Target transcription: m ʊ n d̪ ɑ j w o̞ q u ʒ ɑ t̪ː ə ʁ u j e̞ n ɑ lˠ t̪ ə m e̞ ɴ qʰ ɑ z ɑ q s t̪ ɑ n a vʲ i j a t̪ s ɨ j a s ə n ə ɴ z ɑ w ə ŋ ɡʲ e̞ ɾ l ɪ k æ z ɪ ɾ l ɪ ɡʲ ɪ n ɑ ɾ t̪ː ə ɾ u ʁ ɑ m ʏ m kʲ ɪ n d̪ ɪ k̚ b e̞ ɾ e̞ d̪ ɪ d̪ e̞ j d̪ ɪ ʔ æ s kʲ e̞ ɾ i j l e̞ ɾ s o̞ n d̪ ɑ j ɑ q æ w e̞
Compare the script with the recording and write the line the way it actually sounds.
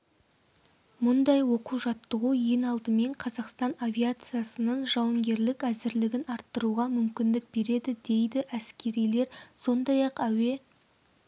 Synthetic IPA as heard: m ʊ n d̪ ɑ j w o̞ q u ʒ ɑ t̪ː ə ʁ u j e̞ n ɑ lˠ d̪ ə m e̞ ɴ qʰ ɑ z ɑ q s t̪ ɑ n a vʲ i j a t̪ s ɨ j a s ə n ə ɴ ʒ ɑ w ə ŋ ɡʲ e̞ ɾ l ɪ k æ z ɪ ɾ l ɪ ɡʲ ɪ n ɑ ɾ t̪ː ə ɾ u ʁ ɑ m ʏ m kʲ ɪ n d̪ ɪ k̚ b e̞ ɾ e̞ d̪ ɪ d̪ e̞ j d̪ ɪ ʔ æ s kʲ e̞ ɾ i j l e̞ ɾ s o̞ n d̪ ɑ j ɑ q æ w e̞